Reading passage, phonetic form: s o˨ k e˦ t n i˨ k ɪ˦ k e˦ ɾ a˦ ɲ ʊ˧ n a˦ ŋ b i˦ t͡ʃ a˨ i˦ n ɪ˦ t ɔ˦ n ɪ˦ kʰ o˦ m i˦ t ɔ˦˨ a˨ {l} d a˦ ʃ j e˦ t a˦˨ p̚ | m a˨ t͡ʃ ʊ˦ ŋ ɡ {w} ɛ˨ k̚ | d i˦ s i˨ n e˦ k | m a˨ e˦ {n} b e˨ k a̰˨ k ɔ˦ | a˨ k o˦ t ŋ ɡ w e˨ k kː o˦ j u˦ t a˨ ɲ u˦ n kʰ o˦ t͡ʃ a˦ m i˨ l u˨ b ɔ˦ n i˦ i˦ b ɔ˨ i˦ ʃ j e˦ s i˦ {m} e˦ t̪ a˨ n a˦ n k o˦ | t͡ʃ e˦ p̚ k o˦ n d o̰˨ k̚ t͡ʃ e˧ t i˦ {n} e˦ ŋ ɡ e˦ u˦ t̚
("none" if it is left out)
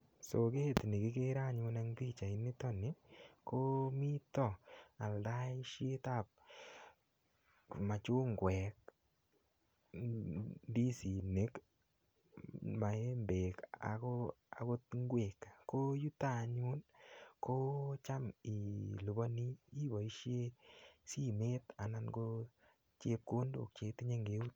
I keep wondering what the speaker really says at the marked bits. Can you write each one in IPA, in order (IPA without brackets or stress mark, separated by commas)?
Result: l, w, m, m, ɲ